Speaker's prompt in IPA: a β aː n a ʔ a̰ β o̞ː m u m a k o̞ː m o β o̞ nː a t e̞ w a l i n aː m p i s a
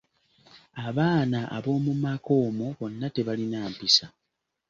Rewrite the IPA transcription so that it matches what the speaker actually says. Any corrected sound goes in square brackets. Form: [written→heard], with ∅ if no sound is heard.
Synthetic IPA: a β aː n a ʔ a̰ β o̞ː m u m a k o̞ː m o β o̞ nː a t e̞ [w→β] a l i n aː m p i s a